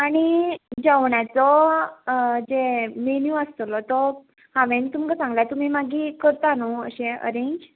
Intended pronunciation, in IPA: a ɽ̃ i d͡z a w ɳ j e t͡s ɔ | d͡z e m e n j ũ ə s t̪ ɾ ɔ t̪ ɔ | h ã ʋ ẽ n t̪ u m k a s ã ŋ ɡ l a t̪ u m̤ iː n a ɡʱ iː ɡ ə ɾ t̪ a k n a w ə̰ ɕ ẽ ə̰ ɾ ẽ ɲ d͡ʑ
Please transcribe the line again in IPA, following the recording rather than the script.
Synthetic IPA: a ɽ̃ i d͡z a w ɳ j a t͡s ɔ | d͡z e m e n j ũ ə s t̪ l ɔ t̪ ɔ | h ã ʋ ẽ n t̪ u m k a s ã ŋ ɡ l a t̪ u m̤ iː m a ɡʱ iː k ə ɾ t̪ a n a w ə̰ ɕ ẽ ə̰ ɾ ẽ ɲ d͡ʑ

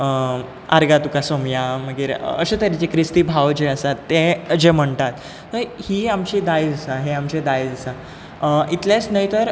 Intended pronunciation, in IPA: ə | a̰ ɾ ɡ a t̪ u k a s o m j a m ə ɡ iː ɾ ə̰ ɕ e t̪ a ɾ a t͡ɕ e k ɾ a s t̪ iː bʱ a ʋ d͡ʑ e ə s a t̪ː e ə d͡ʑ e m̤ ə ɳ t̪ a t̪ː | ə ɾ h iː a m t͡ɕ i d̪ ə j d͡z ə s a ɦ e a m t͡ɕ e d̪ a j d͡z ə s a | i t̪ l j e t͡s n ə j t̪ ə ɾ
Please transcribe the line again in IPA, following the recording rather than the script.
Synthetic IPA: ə | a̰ ɾ ɡ a t̪ u k a s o m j a m ə ɡ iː ɾ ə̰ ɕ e t̪ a ɾ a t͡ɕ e k ɾ i s t̪ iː bʱ a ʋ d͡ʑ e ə s a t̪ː e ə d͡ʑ e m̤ ə ɳ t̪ a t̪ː | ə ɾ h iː a m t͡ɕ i d̪ a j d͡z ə s a ɦ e a m t͡ɕ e d̪ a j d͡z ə s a | i t̪ l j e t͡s n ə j t̪ ə ɾ

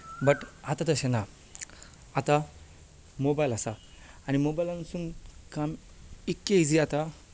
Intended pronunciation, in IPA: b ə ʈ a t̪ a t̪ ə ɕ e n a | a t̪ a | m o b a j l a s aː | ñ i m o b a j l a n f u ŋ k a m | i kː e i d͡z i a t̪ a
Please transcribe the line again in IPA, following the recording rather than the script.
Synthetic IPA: b ə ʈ a t̪ a t̪ ə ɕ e n a | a t̪ a | m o b a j l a s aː | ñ i m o b a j l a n s u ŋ k a m | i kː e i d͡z i a t̪ a

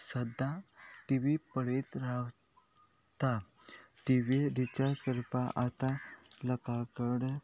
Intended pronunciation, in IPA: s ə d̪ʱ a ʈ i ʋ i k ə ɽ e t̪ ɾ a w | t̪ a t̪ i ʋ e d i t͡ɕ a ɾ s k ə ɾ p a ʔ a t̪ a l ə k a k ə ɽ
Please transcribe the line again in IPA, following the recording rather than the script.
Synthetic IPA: s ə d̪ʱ a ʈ i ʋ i p ə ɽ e t̪ ɾ a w | t̪ a t̪ i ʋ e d i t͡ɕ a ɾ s k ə ɾ p a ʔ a t̪ a l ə k a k ə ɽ

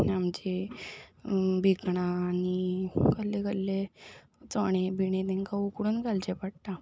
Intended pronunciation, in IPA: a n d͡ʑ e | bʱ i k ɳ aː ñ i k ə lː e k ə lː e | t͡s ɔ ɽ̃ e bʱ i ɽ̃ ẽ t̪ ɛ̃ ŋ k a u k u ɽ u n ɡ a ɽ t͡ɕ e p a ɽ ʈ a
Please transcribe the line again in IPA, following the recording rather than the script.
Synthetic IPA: a m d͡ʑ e | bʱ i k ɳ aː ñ i k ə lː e k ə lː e | t͡s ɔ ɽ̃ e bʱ i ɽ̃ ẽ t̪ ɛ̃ ŋ k a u k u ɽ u n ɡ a l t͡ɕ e p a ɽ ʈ a

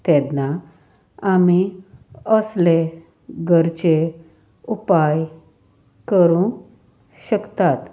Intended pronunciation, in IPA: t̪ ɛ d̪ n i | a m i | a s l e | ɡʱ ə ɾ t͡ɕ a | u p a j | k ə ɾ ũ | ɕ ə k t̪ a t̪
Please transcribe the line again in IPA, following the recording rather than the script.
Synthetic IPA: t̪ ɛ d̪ n a | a m i | ə s l e | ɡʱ ə ɾ t͡ɕ e | u p a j | k ə ɾ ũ | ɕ ə k t̪ a t̪

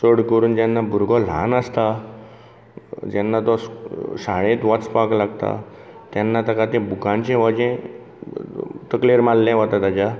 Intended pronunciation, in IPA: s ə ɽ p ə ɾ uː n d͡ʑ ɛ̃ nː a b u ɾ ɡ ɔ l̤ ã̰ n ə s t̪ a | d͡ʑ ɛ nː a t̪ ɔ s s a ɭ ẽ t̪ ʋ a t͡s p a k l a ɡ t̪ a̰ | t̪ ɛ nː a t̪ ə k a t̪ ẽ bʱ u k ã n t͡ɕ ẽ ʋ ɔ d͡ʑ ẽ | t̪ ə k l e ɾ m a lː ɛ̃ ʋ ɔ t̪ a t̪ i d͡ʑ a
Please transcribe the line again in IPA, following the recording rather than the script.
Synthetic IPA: s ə ɽ k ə ɾ uː n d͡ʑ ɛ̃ nː a b u ɾ ɡ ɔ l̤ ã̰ n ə s t̪ a | d͡ʑ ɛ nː a t̪ ɔ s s a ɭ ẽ t̪ ʋ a t͡s p a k l a ɡ t̪ a̰ | t̪ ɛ nː a t̪ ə k a t̪ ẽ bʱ u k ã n t͡ɕ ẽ ʋ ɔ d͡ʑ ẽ | t̪ ə k l e ɾ m a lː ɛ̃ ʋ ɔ t̪ a t̪ a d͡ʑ a

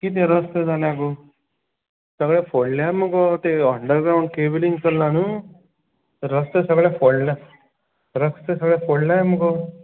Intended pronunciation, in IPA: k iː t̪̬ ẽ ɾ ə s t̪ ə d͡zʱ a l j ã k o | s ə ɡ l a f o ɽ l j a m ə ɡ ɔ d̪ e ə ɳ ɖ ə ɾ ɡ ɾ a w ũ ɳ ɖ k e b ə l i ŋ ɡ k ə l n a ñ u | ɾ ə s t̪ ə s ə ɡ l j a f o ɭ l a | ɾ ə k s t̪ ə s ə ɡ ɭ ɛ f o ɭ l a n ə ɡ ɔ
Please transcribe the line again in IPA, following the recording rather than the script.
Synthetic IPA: k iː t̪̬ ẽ ɾ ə s t̪ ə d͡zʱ a l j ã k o | s ə ɡ ɭ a f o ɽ l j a m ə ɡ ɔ t̪ e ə ɳ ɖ ə ɾ ɡ ɾ a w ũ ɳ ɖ k e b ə l i ŋ ɡ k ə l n a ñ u | ɾ ə s t̪ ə s ə ɡ ɭ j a f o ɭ l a | ɾ ə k s t̪ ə s ə ɡ ɭ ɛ f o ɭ l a m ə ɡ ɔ

